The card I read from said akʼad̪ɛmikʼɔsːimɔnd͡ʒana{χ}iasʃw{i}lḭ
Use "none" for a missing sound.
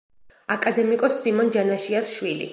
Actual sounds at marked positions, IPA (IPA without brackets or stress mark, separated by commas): ʃ, i